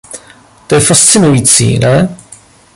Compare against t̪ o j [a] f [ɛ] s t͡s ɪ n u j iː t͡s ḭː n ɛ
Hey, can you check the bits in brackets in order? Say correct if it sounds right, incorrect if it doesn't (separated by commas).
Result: incorrect, incorrect